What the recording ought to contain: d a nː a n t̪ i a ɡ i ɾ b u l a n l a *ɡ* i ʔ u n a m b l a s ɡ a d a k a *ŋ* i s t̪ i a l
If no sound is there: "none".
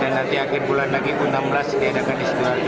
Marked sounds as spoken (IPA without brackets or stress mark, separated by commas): ɡ, n